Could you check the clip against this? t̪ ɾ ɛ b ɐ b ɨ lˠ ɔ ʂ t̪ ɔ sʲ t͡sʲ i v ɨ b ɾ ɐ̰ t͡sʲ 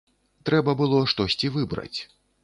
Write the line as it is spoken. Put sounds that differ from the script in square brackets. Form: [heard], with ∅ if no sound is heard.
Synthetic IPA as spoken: t̪ ɾ ɛ b ɐ b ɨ lˠ ɔ ʂ t̪ ɔ sʲ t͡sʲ i v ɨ b ɾ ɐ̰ t͡sʲ